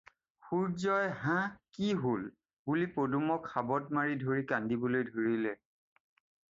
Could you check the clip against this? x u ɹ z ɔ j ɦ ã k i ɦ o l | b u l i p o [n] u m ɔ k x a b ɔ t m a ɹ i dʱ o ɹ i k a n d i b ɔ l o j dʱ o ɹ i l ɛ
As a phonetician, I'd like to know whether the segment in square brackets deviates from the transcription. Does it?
yes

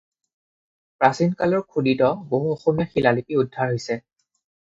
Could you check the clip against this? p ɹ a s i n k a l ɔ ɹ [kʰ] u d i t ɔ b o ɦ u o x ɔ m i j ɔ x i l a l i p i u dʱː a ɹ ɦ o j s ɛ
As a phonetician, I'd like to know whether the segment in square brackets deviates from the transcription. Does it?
no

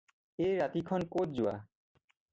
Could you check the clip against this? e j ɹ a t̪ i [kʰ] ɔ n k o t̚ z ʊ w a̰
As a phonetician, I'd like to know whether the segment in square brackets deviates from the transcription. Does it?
no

